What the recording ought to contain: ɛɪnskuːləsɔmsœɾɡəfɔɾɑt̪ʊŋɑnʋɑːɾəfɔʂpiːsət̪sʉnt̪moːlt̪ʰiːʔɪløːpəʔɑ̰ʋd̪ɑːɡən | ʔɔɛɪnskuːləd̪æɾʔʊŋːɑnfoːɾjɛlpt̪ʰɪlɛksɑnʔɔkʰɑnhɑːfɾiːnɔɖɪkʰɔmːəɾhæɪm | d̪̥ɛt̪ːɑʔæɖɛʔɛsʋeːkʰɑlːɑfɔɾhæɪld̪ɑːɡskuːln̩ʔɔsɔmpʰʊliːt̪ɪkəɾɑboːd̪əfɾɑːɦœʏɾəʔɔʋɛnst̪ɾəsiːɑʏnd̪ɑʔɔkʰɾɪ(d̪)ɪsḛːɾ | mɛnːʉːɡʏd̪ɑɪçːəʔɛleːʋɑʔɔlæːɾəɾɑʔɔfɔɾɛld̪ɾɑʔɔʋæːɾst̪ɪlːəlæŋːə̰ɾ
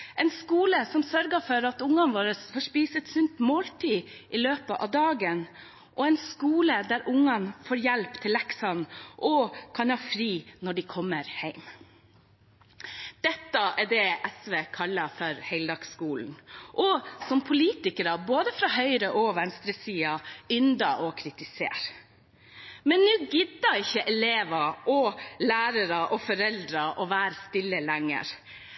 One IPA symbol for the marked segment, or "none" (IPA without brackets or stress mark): t̪